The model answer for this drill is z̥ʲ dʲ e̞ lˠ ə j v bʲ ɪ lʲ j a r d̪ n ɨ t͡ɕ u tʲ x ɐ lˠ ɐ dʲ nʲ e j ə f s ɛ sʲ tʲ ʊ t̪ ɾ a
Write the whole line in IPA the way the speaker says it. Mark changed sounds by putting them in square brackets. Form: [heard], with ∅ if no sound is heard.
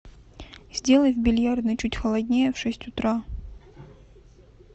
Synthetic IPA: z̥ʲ dʲ e̞ lˠ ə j v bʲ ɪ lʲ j a r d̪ n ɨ t͡ɕ u tʲ x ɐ lˠ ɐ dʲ nʲ e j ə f [ʂ] ɛ sʲ tʲ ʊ t̪ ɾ a